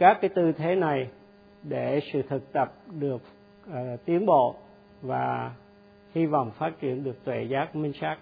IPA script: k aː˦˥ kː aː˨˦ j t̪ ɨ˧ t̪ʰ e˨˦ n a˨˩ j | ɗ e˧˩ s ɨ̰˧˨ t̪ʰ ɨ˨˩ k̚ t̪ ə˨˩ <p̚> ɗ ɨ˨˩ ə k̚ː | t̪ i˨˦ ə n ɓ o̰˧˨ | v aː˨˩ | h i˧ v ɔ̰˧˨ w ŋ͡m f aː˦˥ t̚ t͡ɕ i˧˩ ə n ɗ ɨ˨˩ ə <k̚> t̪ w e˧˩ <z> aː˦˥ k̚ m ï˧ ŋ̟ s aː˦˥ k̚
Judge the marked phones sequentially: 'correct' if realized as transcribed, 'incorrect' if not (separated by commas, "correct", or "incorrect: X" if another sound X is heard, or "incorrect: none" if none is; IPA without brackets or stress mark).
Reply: correct, correct, correct